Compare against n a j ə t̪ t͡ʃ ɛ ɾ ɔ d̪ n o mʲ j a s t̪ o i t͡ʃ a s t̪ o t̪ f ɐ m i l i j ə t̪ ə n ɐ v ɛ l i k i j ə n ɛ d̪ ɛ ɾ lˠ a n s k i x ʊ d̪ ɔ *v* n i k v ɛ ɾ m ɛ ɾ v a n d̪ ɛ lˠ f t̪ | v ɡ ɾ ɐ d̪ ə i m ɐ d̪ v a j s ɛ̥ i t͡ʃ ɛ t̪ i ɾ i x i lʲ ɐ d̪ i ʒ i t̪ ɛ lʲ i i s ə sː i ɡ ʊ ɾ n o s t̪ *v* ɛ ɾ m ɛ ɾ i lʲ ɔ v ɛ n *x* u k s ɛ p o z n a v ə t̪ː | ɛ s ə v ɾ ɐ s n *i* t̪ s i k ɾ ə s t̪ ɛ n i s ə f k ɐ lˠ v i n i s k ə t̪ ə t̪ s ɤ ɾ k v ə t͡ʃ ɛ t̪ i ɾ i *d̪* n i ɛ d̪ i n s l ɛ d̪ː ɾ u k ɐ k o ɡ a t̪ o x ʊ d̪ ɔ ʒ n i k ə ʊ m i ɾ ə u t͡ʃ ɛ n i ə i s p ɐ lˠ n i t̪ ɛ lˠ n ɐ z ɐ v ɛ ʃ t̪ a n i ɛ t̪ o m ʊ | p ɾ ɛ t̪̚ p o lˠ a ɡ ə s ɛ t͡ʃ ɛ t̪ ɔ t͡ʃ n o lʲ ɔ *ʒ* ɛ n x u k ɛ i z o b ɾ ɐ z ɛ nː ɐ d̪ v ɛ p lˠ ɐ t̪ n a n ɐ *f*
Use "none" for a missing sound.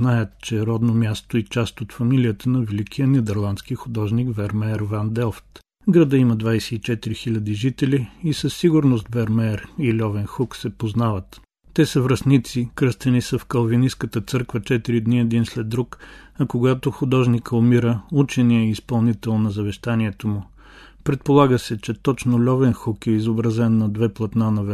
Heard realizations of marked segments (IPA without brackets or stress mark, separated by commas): ʒ, v, x, i, d̪, v, v